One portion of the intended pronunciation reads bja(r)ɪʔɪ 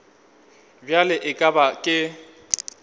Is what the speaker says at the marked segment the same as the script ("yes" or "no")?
no